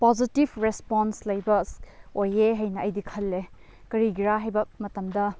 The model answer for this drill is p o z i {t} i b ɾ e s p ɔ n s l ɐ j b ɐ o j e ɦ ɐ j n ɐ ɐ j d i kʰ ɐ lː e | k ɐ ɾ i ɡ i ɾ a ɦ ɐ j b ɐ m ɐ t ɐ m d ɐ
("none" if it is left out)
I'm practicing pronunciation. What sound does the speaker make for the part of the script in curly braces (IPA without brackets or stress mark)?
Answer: t